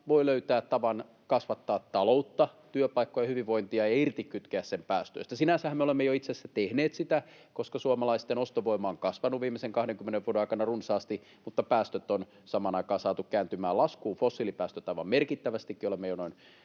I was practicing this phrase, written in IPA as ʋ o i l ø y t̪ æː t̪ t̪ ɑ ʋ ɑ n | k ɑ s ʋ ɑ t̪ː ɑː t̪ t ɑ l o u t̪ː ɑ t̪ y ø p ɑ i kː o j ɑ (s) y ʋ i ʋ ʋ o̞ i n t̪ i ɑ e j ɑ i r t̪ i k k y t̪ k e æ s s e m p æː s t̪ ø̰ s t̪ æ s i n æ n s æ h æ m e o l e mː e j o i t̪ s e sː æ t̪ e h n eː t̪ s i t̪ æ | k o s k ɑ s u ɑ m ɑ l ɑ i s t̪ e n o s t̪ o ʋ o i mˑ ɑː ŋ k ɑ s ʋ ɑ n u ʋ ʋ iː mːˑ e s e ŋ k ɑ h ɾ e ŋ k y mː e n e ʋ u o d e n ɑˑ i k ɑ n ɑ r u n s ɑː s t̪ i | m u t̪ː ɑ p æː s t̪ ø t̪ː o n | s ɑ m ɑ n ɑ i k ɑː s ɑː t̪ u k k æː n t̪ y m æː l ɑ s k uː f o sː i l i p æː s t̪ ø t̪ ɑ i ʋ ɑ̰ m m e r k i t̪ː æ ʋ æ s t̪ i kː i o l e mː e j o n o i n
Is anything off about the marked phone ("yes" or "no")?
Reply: yes